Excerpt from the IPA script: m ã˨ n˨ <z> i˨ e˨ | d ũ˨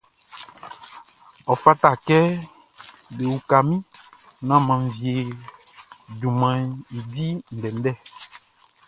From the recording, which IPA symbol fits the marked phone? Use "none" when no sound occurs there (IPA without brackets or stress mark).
v